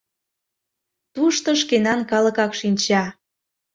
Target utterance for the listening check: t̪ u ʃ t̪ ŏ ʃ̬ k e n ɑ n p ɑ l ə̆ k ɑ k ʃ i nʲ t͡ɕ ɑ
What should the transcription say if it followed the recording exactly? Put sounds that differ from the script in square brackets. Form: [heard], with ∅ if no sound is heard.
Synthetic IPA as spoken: t̪ u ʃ t̪ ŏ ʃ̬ k e n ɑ n [k] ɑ l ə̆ k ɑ k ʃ i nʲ t͡ɕ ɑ